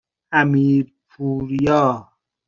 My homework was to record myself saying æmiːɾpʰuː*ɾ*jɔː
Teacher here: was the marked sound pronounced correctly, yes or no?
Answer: yes